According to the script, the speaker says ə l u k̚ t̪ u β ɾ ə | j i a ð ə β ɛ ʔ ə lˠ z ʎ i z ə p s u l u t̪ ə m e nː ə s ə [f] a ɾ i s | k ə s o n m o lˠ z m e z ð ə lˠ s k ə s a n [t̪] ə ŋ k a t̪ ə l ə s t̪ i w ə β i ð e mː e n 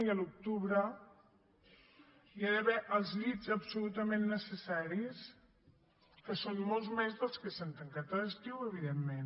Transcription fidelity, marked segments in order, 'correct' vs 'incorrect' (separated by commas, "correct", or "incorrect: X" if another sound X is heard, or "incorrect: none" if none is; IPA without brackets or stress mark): incorrect: s, correct